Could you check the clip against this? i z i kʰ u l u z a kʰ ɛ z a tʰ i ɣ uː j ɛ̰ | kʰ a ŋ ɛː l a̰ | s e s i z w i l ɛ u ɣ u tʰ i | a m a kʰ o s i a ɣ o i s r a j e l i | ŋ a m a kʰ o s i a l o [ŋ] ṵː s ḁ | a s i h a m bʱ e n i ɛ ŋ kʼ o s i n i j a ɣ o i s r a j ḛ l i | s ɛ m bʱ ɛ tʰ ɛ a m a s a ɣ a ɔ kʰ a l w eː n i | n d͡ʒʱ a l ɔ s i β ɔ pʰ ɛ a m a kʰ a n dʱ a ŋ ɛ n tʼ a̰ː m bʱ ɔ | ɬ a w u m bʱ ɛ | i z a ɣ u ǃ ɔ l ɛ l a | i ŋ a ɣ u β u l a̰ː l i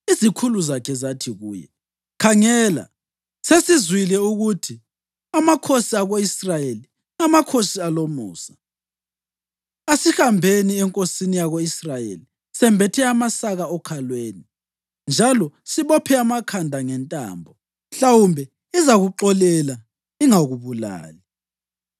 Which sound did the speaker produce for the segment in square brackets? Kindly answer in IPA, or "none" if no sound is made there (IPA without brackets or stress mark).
m